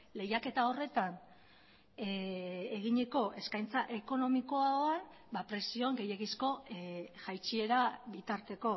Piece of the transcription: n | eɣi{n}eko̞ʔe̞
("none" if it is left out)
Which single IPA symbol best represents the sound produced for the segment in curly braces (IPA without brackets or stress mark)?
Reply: ɲ